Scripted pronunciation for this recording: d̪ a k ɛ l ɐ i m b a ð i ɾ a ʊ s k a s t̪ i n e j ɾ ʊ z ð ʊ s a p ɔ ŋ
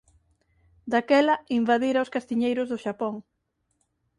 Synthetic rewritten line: d̪ a k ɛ l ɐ i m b a ð i ɾ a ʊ s k a s t̪ i ɲ e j ɾ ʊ z ð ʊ ʃ a p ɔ ŋ